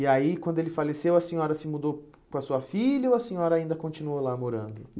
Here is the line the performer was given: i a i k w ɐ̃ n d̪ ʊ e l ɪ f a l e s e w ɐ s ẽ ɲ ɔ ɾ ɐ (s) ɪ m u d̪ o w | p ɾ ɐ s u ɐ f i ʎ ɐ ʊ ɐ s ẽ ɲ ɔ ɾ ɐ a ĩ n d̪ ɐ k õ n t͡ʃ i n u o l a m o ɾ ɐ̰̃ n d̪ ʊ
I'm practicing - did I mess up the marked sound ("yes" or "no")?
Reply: no